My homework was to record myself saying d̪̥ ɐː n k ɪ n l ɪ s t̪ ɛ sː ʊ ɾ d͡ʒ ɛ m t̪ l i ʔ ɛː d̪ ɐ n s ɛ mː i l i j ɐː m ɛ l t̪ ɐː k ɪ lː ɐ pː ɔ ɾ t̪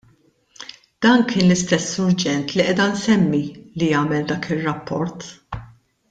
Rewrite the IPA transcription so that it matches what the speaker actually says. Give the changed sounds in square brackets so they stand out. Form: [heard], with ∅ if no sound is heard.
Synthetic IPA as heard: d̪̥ ɐː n k [ɪː] n l ɪ s t̪ ɛ sː ʊ ɾ d͡ʒ ɛ [n] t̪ l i ʔ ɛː d̪ ɐ n s ɛ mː i l i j ɐː m ɛ l [d̪] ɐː k ɪ [rː] ɐ pː ɔ ɾ t̪